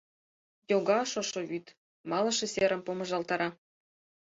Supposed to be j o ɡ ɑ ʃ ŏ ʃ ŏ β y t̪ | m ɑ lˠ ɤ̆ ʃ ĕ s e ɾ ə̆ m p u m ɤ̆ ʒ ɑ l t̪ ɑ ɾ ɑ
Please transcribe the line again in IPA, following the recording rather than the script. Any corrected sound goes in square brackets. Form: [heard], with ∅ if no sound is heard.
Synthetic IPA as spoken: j o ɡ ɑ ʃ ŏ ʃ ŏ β y t̪ | m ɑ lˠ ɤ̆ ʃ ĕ s e ɾ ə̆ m p [o] m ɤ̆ ʒ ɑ l t̪ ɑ ɾ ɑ